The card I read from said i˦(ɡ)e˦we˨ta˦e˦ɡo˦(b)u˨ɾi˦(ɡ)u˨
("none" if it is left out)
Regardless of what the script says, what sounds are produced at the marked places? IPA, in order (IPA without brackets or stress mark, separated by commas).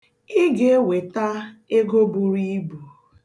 ɡ, b, b